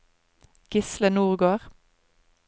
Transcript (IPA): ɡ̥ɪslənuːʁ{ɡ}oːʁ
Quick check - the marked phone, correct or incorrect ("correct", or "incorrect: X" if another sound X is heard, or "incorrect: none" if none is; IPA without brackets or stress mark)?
correct